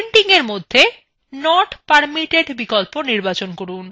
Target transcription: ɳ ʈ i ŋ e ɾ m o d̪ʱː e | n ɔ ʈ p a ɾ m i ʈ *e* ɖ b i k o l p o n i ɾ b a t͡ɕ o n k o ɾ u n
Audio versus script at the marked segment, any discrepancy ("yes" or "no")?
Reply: no